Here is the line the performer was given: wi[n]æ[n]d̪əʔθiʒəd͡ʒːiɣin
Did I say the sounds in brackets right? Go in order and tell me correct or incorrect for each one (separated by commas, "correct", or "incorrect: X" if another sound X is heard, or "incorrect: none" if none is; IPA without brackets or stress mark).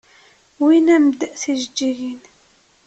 correct, incorrect: m